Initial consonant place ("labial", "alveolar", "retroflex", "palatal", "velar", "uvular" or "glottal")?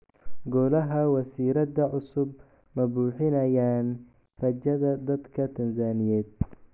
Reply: velar